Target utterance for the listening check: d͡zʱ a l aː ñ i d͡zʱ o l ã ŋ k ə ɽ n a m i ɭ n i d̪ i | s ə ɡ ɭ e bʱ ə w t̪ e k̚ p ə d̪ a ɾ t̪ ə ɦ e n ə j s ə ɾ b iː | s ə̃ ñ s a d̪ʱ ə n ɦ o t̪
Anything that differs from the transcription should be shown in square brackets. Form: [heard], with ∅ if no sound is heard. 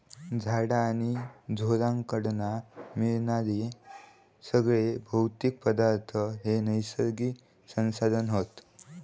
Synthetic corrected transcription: d͡zʱ a [ɽ] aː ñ i d͡zʱ o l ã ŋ k ə ɽ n a m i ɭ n [a] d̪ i | s ə ɡ ɭ e bʱ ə w t̪ [i] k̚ p ə d̪ a ɾ [t̪ʰ] ə ɦ e n ə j s ə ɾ [ɡ] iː | s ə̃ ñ s a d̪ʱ ə n ɦ o t̪